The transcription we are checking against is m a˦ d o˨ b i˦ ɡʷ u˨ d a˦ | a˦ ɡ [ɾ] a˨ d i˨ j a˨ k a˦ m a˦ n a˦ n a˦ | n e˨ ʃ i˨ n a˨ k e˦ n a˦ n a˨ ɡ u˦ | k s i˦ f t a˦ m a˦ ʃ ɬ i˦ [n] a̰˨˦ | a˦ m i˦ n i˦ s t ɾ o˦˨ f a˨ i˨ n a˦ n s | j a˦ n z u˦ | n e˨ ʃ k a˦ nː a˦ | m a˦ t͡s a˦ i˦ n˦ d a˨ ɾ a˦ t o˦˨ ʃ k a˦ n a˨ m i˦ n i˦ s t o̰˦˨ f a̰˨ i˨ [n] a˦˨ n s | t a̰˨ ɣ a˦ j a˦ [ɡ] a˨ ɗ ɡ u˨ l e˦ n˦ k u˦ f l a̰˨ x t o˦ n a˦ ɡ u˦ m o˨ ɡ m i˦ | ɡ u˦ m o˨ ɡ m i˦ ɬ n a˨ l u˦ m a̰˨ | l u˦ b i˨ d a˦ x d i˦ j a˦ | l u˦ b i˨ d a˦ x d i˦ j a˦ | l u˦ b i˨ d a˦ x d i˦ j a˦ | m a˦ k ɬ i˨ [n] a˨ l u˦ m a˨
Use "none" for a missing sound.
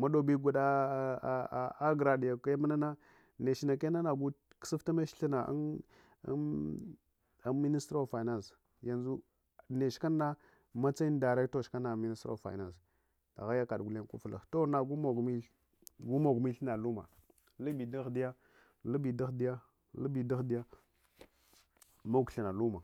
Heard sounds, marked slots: ɾ, n, n, k, n

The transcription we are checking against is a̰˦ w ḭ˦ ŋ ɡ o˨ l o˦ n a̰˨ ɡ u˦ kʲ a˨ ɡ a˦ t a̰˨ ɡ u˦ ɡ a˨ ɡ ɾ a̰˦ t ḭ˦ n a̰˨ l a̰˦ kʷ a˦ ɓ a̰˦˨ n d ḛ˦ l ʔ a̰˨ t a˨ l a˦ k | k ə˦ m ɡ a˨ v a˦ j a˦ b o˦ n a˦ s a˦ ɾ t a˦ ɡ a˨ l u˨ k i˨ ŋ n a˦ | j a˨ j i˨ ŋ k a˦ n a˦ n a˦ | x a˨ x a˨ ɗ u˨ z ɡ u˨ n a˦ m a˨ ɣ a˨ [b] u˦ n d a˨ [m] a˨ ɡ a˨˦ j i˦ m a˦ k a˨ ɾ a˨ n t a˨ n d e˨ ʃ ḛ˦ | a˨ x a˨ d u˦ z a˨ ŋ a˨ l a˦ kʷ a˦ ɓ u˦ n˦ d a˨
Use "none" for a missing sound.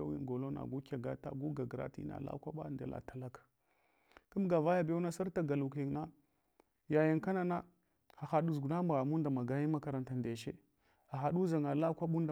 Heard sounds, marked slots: m, m

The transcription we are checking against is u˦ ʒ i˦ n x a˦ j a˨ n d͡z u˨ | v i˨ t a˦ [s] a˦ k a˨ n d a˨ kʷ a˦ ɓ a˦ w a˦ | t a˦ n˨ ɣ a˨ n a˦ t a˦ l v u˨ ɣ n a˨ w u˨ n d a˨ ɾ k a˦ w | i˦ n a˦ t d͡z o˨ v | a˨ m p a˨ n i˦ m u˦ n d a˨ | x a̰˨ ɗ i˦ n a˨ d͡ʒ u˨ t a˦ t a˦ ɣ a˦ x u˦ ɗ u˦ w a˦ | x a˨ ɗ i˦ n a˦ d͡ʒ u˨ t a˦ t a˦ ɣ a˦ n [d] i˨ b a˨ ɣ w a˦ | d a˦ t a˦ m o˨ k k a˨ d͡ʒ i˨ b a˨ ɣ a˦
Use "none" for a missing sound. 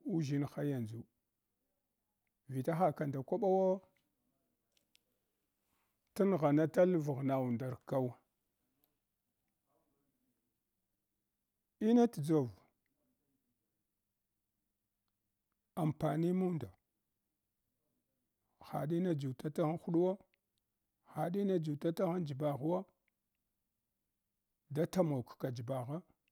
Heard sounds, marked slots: x, d͡ʒ

